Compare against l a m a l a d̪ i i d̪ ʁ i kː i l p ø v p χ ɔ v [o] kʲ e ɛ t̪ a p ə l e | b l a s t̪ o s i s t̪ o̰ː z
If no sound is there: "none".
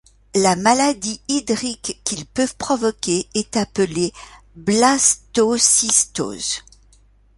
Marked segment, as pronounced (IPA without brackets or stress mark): ɔ